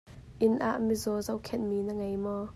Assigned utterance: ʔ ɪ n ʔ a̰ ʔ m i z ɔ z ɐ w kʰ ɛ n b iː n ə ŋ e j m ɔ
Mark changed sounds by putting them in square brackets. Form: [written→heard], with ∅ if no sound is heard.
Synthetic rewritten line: ʔ ɪ n ʔ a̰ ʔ m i z ɔ z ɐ w kʰ ɛ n [b→m] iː n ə ŋ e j m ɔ